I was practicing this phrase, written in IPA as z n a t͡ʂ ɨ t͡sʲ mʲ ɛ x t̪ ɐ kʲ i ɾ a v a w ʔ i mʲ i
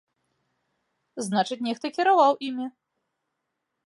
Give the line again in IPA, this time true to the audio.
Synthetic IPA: z n a t͡ʂ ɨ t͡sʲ nʲ ɛ x t̪ ɐ kʲ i ɾ a v a w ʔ i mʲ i